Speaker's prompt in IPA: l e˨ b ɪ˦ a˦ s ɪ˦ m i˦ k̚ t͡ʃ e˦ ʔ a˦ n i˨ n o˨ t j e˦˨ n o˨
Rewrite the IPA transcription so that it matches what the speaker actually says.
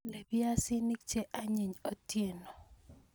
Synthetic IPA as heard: l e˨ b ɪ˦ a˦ s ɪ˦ n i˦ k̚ t͡ʃ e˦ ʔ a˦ ɲ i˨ ɲ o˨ t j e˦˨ n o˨